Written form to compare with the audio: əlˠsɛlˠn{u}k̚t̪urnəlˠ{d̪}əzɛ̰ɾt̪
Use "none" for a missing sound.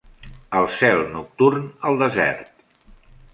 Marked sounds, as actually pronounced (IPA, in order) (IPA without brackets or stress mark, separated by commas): u, d̪